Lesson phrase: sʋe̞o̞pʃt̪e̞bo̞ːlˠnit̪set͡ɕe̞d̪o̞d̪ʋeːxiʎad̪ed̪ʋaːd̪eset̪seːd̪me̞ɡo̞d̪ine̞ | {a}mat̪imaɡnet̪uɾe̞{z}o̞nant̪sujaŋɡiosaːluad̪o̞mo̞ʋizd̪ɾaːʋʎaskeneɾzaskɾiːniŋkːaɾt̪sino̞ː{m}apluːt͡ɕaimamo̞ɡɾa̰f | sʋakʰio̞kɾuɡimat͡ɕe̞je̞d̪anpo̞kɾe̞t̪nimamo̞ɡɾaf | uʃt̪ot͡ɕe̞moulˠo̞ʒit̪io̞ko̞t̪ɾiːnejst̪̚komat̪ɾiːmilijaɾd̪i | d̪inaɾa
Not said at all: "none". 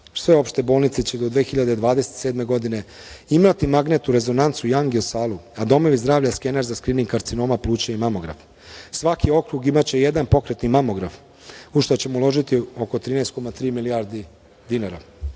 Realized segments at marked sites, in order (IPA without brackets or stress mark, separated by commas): i, z, m